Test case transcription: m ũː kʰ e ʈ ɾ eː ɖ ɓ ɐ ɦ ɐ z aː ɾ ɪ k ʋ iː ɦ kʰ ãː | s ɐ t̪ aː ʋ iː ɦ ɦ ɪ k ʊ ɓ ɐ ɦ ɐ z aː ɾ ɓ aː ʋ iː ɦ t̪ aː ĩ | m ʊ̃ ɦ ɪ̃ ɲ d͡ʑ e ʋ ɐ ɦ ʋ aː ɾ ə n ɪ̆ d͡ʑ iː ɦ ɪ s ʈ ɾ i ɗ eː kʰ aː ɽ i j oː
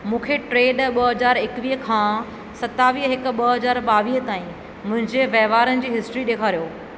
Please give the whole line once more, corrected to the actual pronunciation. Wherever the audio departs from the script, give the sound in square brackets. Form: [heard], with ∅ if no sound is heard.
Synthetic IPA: m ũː kʰ e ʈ ɾ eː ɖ ɓ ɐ ɦ ɐ z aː ɾ ɪ k ʋ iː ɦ kʰ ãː | s ɐ t̪ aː ʋ iː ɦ ɦ ɪ k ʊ ɓ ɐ ɦ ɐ z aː ɾ ɓ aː ʋ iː ɦ t̪ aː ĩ | m ʊ̃ ɦ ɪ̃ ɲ d͡ʑ e ʋ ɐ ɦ ʋ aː ɾ ə n ɪ̆ d͡ʑ iː ɦ ɪ s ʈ ɾ i ɗ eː kʰ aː [ɾ] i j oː